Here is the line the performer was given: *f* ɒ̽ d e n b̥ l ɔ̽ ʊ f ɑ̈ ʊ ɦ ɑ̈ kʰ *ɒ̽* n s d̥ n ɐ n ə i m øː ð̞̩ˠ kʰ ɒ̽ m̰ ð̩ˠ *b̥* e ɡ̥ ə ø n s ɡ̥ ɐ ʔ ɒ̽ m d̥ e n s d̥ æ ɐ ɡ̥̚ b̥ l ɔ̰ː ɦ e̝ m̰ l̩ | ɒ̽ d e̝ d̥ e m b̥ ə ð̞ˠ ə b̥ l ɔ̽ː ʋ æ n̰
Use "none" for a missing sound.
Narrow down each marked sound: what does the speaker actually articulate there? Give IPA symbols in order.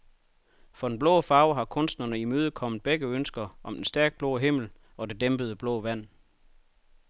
f, ɔ̽, b̥

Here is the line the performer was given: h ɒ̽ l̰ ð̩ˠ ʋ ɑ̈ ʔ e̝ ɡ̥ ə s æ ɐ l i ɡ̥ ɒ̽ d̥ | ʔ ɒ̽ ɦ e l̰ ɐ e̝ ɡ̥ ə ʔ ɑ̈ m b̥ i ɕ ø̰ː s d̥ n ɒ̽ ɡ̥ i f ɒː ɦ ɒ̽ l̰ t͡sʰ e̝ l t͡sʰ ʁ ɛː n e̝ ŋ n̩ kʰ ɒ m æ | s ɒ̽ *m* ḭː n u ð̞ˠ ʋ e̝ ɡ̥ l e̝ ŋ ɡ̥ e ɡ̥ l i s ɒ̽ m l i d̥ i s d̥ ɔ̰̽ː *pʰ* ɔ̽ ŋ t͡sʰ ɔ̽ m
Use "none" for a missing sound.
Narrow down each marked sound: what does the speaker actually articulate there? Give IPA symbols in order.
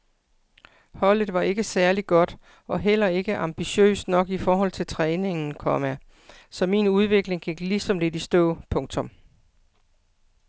m, pʰ

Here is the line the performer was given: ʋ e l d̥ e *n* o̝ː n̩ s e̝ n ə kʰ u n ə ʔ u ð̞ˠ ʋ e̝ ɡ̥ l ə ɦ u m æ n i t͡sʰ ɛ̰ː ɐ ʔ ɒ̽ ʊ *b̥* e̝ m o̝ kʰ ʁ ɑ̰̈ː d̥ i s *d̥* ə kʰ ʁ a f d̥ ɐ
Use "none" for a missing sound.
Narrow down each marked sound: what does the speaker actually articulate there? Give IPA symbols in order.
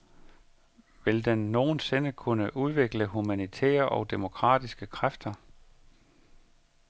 nː, d̥, ɡ̥

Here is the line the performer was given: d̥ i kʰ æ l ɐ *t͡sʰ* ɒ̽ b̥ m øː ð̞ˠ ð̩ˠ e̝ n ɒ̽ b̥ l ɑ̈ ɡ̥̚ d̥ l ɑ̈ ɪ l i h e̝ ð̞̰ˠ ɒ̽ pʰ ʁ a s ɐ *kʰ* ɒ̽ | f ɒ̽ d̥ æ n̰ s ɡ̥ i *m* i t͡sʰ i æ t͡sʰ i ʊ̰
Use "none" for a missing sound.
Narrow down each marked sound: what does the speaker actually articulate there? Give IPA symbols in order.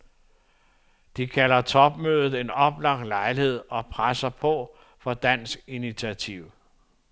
t͡sʰ, pʰ, n

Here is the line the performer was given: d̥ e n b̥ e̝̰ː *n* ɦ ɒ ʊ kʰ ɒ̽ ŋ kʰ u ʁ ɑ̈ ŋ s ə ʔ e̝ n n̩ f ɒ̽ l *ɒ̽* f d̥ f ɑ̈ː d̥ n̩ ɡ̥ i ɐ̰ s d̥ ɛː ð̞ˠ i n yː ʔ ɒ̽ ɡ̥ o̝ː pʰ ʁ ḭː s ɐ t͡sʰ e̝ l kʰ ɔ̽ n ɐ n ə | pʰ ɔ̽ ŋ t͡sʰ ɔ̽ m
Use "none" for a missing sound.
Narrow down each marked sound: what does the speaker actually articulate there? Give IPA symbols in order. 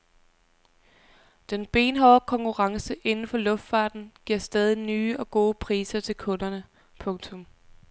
n, ɔ̽

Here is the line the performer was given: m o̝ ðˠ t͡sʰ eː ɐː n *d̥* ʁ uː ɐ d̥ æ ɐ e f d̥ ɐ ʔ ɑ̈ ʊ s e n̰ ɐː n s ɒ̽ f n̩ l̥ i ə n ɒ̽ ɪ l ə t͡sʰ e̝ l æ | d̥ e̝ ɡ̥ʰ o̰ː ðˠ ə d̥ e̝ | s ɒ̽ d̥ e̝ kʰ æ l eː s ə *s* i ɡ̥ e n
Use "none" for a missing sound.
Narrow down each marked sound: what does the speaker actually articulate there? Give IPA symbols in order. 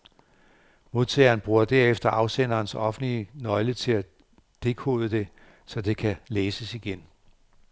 b̥, s

